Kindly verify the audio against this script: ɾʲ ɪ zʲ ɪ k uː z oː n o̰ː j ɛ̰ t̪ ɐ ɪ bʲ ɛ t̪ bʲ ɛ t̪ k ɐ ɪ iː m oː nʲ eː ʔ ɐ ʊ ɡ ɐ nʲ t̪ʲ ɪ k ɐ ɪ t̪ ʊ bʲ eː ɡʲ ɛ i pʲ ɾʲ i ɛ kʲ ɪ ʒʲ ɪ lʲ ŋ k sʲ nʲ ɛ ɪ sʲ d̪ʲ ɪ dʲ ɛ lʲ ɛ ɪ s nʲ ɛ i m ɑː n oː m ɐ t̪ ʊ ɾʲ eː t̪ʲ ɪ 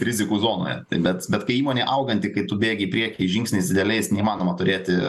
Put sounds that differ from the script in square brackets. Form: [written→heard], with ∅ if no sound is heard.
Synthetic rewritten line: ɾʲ ɪ zʲ ɪ k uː z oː n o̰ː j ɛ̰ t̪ ɐ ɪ bʲ ɛ t̪ bʲ ɛ t̪ k ɐ ɪ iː m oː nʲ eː ʔ ɐ ʊ ɡ ɐ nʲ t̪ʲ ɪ k ɐ ɪ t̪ ʊ bʲ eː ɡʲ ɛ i pʲ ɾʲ i ɛ kʲ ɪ ʒʲ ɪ [lʲ→∅] ŋ k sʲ nʲ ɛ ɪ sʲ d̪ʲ ɪ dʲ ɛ lʲ ɛ ɪ s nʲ ɛ i m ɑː n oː m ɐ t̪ ʊ ɾʲ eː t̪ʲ ɪ